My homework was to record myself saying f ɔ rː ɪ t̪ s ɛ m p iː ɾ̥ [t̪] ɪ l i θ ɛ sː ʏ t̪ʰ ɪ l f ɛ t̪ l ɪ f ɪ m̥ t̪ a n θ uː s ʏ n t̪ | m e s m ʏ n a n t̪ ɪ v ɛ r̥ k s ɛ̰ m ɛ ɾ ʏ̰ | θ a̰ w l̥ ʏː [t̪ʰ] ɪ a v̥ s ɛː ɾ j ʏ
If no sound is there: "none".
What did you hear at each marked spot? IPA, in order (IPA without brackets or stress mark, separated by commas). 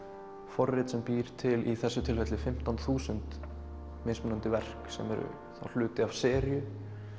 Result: t̪ʰ, t̪